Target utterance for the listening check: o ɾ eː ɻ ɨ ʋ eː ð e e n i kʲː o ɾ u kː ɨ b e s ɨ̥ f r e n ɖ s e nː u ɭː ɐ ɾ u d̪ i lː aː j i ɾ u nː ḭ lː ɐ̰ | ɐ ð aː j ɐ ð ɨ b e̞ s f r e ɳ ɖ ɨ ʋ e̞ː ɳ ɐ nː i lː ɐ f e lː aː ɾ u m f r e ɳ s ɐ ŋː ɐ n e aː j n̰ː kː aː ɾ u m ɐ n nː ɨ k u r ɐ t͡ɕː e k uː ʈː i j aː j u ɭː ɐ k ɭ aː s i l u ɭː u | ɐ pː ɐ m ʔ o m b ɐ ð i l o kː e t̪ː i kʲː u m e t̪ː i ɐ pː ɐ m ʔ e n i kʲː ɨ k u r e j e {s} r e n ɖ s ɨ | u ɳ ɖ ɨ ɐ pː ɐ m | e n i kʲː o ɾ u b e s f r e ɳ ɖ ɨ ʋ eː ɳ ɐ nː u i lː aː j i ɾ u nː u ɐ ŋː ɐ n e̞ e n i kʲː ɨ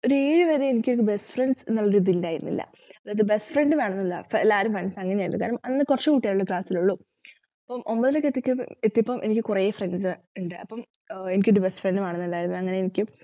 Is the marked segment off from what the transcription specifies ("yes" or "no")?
yes